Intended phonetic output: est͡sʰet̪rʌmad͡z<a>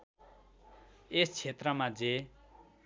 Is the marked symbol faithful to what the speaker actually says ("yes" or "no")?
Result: no